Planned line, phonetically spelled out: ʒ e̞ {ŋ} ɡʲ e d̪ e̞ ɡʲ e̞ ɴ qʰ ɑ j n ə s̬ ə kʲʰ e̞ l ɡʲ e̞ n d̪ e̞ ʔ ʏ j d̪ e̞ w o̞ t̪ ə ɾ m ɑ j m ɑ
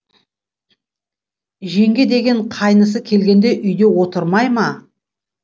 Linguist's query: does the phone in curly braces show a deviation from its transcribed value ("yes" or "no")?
no